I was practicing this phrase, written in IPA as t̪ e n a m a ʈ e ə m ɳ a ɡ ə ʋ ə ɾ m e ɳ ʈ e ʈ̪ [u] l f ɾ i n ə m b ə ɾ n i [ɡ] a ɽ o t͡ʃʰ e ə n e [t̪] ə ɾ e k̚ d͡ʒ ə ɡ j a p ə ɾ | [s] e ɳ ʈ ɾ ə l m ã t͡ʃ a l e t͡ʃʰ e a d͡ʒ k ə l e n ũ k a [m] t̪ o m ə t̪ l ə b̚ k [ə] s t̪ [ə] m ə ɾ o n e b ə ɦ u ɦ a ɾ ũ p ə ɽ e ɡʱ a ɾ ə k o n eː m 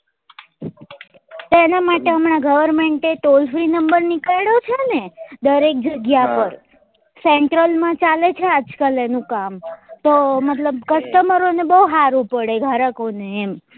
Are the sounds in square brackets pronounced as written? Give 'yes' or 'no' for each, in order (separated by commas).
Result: no, no, no, yes, yes, yes, yes